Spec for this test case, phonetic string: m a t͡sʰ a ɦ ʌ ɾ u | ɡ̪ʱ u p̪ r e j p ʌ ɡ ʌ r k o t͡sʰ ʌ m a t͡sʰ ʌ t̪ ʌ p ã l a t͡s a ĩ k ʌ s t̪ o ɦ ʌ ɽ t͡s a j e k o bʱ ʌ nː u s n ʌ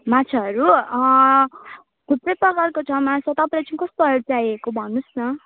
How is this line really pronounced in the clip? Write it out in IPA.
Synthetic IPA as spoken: m a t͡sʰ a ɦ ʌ ɾ u | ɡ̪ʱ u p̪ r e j p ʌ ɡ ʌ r k o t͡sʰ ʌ m a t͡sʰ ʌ t̪ ʌ p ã l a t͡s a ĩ k ʌ s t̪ o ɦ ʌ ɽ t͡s a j e k o bʱ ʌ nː u s n ʌ